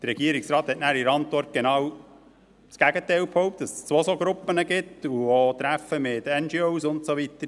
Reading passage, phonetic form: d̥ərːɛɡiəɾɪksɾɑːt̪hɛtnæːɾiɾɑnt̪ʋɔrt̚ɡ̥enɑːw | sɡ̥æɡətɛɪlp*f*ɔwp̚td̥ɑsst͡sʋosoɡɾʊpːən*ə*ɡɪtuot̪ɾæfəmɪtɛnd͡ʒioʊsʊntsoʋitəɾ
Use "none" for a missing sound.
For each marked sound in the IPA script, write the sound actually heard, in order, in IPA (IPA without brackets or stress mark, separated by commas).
h, ə